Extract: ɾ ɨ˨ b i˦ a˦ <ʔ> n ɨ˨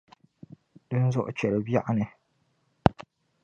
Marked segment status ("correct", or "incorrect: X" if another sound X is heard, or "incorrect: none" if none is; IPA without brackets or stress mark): correct